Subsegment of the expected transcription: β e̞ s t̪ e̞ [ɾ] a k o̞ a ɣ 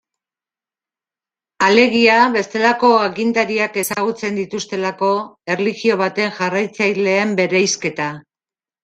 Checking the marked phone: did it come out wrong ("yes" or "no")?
yes